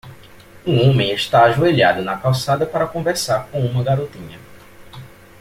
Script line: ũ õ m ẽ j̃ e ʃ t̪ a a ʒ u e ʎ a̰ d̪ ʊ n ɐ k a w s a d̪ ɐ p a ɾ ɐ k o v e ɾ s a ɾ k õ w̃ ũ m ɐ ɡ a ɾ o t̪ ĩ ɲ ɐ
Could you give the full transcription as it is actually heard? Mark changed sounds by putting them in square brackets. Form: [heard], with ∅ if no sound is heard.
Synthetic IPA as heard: ũ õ m ẽ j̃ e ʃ t̪ a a ʒ u e ʎ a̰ d̪ ʊ n ɐ k a w s a d̪ ɐ p a ɾ ɐ k [õ] v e ɾ s a ɾ k õ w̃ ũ m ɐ ɡ a ɾ o t̪ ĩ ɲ ɐ